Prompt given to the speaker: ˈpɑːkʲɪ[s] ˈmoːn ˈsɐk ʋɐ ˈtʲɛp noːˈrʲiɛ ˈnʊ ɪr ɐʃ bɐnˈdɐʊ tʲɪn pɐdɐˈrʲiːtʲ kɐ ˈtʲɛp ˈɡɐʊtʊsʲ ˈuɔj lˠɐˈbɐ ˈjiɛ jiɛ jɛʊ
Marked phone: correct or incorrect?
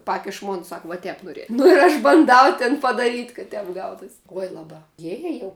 incorrect